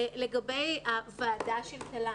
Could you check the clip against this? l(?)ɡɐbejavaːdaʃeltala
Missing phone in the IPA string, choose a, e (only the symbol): e